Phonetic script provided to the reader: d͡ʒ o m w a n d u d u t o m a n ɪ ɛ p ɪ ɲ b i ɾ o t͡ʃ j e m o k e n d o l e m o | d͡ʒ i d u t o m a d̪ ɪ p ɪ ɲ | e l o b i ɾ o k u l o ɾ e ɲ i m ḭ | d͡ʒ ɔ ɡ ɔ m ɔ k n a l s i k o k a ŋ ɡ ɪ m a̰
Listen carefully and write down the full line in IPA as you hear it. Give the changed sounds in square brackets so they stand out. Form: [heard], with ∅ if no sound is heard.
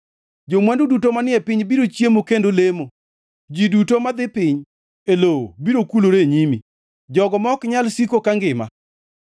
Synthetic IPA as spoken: d͡ʒ o m w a n d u d u t o m a n ɪ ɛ p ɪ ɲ b i ɾ o t͡ʃ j e m o k e n d o l e m o | d͡ʒ i d u t o m a d̪ ɪ p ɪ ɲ | e l o b i ɾ o k u l o ɾ e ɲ i m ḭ | d͡ʒ ɔ ɡ ɔ m ɔ k [ɲ] a l s i k o k a ŋ ɡ ɪ m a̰